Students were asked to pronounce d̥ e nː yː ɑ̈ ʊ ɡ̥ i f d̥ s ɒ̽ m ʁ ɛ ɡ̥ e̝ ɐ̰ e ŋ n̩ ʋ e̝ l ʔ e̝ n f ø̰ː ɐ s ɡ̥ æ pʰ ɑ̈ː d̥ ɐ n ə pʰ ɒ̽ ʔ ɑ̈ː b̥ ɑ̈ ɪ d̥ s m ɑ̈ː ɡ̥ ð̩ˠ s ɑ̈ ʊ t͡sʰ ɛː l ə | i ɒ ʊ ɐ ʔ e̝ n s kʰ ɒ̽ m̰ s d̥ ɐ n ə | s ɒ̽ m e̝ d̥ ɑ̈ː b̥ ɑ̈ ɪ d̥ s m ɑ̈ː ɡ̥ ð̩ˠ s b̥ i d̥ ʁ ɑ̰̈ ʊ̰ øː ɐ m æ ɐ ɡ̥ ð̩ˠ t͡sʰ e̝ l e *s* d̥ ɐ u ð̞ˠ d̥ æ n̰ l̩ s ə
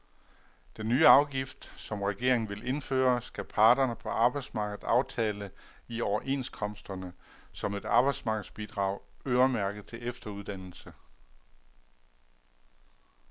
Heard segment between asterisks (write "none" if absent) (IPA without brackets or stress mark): f